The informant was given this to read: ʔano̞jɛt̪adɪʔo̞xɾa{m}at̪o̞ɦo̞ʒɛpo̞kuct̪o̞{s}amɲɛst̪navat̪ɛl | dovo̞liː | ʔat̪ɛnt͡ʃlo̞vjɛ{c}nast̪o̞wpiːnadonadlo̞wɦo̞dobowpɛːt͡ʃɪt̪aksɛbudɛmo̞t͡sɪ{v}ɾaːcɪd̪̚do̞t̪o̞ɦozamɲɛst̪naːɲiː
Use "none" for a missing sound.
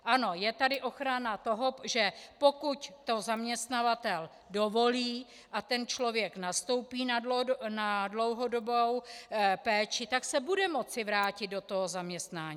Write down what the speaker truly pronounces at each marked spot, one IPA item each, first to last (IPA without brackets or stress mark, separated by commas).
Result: n, z, k, v